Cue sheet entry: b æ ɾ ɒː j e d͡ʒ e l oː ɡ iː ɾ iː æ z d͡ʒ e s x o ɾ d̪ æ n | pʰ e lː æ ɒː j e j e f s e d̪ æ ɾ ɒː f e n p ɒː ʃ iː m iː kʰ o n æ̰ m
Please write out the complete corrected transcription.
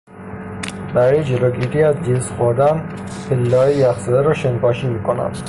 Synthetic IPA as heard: b æ ɾ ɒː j e d͡ʒ e l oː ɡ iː ɾ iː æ z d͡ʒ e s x o ɾ d̪ æ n | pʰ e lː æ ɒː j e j æ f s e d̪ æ ɾ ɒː ʃ e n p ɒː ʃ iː m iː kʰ o n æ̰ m

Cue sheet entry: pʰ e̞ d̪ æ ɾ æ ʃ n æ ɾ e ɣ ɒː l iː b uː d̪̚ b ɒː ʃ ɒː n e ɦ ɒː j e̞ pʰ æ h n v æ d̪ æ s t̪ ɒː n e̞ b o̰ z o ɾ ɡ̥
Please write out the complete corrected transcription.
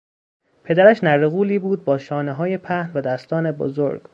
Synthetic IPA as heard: pʰ e̞ d̪ æ ɾ æ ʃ n æ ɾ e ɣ uː l iː b uː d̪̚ b ɒː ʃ ɒː n e ɦ ɒː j e̞ pʰ æ h n v æ d̪ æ s t̪ ɒː n e̞ b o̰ z o ɾ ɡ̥

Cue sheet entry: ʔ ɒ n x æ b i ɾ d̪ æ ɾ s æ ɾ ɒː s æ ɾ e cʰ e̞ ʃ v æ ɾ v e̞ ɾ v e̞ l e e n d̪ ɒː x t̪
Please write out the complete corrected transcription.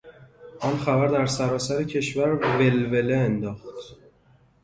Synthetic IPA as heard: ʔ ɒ n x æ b æ ɾ d̪ æ ɾ s æ ɾ ɒː s æ ɾ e cʰ e̞ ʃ v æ ɾ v e̞ l v e̞ l e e n d̪ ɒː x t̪

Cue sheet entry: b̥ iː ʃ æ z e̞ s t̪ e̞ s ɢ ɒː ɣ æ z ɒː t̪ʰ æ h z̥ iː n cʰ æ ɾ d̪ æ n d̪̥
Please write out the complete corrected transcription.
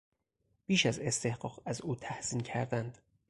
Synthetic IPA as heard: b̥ iː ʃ æ z e̞ s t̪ e̞ h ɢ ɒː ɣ æ z uː t̪ʰ æ h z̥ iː n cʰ æ ɾ d̪ æ n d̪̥

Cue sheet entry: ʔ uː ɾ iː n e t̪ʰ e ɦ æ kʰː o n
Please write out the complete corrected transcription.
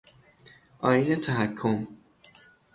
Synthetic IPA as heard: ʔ ɒː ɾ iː n e t̪ʰ æ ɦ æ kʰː o m

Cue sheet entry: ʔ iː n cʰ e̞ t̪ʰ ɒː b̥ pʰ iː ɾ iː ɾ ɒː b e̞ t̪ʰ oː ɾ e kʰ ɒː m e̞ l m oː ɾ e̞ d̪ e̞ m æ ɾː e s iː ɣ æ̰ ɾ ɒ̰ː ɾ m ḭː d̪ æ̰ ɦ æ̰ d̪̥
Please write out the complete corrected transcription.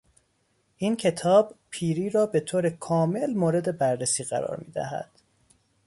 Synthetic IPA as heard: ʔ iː n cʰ e̞ t̪ʰ ɒː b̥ pʰ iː ɾ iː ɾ ɒː b e̞ t̪ʰ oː ɾ e kʰ ɒː m e̞ l m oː ɾ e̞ d̪ e̞ b æ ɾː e s iː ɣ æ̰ ɾ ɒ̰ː ɾ m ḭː d̪ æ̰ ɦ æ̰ d̪̥

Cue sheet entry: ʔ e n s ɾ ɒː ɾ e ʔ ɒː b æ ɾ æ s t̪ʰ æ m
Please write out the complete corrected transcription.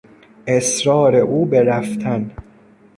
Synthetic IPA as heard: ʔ e s ɾ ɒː ɾ e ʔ uː b e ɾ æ f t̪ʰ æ n

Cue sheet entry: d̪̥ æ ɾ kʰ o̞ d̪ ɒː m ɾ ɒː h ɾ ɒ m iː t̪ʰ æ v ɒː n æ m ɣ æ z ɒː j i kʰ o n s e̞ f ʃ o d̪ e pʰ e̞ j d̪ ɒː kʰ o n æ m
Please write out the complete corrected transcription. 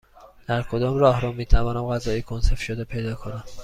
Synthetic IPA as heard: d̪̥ æ ɾ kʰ o̞ d̪ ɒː m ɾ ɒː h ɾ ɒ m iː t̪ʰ æ v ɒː n æ m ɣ æ z ɒː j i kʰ o n s e̞ f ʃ o d̪ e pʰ e̞ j d̪ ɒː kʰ o n æ m

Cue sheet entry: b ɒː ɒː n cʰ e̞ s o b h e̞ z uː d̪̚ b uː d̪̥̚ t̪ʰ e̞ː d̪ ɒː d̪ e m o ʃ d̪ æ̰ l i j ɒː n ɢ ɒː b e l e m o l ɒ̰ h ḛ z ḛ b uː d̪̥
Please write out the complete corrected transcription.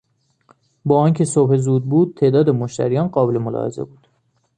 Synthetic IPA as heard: b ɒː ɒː n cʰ e̞ s o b h e̞ z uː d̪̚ b uː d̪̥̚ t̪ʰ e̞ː d̪ ɒː d̪ e m o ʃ t̪ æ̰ ɾ i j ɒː n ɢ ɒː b e l e m o l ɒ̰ h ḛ z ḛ b uː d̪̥

